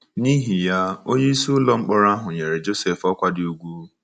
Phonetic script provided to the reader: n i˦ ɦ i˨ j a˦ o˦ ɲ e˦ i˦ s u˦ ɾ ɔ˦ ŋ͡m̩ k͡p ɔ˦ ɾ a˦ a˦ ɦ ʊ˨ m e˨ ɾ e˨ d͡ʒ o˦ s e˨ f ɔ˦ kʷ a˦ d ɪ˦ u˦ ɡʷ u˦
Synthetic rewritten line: n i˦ ɦ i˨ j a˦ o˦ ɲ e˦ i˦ s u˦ l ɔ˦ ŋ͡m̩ k͡p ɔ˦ ɾ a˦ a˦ ɦ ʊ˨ ɲ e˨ ɾ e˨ d͡ʒ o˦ s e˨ f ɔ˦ kʷ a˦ d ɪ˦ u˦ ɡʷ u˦